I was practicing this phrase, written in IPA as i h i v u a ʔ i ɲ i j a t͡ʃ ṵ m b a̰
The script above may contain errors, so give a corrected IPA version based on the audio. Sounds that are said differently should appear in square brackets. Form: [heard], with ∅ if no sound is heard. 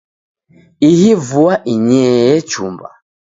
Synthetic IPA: i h i v u a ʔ i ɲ [ɛ] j [ɛ] t͡ʃ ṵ m b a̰